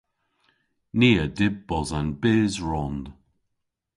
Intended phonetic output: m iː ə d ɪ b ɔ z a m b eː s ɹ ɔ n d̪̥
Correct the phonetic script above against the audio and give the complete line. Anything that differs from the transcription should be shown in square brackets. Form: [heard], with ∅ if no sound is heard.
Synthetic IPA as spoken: [n] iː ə d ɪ b ɔ z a [n] b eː [z] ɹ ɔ n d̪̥